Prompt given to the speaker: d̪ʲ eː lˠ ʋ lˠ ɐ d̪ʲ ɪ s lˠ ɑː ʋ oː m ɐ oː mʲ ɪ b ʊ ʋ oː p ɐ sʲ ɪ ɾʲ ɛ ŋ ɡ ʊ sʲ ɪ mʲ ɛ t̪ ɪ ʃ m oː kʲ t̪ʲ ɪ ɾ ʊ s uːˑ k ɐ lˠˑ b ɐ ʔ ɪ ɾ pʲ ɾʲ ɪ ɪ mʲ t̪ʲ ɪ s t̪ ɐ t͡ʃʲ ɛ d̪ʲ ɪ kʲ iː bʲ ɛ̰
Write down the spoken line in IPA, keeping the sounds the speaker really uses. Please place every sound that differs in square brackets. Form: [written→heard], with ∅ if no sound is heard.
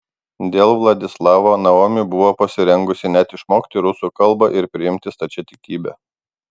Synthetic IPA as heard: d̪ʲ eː lˠ ʋ lˠ ɐ d̪ʲ ɪ s lˠ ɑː ʋ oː [m→n] ɐ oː mʲ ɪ b ʊ ʋ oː p ɐ sʲ ɪ ɾʲ ɛ ŋ ɡ ʊ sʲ ɪ [mʲ→nʲ] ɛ t̪ ɪ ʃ m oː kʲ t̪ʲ ɪ ɾ ʊ s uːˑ k ɐ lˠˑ b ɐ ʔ ɪ ɾ pʲ ɾʲ ɪ ɪ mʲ t̪ʲ ɪ s t̪ ɐ t͡ʃʲ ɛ [d̪ʲ→t̪ʲ] ɪ kʲ iː bʲ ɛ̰